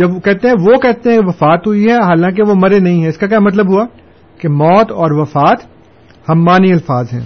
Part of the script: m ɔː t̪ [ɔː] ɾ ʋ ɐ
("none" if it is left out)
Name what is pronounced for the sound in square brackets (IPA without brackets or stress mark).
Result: ɔː